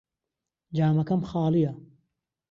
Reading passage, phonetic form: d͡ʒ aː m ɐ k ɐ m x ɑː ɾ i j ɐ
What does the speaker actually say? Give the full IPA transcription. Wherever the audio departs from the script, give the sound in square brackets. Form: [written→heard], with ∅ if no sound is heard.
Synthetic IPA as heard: d͡ʒ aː m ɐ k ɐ m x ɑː [ɾ→l] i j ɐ